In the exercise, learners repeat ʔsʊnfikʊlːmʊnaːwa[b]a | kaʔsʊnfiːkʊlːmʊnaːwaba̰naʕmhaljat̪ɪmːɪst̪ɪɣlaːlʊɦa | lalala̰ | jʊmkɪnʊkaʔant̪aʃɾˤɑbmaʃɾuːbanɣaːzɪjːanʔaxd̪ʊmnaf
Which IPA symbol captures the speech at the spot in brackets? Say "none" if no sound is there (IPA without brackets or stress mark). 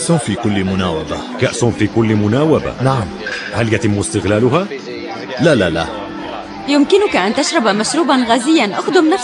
b